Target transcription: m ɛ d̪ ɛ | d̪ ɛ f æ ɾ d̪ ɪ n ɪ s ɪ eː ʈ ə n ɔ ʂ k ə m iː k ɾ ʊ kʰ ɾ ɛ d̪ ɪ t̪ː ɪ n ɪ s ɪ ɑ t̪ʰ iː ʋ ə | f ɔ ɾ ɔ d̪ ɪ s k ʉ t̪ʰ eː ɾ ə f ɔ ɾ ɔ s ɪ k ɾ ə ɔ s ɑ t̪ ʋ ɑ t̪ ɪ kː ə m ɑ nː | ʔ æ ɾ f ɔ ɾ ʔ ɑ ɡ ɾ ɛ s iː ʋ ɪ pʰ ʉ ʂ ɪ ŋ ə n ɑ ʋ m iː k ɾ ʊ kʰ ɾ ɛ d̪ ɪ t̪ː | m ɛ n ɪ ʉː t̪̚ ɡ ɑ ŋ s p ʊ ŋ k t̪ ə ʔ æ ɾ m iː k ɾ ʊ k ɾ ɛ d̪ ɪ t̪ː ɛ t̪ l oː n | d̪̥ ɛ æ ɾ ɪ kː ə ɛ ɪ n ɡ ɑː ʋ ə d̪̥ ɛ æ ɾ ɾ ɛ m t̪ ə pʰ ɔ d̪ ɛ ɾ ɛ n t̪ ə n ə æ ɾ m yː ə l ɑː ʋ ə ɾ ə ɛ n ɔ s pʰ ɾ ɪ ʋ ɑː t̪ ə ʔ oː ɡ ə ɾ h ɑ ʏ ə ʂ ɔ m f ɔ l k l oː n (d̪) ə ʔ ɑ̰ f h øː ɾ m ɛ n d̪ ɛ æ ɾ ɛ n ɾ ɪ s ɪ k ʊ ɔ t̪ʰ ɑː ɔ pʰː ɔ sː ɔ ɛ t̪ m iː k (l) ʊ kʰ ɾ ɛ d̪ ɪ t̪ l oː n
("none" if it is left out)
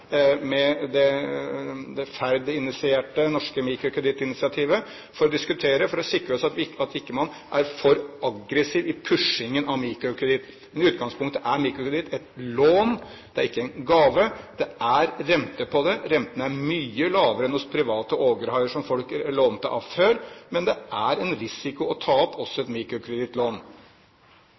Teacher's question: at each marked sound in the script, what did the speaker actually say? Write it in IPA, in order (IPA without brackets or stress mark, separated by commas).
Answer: t̪, ɾ